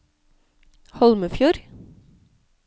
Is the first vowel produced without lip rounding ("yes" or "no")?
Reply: no